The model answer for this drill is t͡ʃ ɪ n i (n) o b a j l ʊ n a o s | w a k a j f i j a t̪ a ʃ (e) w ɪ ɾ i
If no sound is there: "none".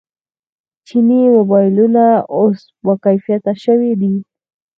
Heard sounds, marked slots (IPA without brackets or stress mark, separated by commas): m, a